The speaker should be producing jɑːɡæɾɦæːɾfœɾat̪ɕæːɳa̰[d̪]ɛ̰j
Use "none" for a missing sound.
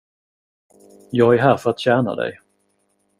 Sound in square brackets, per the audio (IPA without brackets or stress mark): d̪